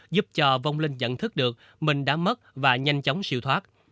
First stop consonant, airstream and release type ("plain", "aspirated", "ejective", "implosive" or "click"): plain